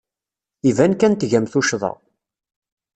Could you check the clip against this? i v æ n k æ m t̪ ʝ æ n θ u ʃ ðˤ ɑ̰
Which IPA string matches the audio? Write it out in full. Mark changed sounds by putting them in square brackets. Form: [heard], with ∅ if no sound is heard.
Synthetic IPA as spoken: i v æ n k æ [n] t̪ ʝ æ [m] θ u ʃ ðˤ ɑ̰